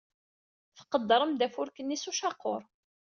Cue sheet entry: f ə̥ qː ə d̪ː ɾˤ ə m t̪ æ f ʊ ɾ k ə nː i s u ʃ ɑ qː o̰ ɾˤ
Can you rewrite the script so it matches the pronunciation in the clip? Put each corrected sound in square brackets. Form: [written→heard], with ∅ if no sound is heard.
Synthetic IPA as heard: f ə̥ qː ə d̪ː ɾˤ ə m [t̪→d̪] æ f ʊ ɾ k ə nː i s u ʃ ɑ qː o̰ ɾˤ